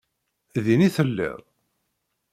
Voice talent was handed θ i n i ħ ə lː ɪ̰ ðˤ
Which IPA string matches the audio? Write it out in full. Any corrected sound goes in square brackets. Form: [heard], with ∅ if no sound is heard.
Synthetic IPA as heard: [ð] i n i [θ] ə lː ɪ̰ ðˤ